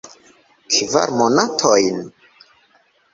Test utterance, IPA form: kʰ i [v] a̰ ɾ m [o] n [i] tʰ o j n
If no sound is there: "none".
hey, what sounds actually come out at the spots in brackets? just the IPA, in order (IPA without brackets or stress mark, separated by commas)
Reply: v, o, a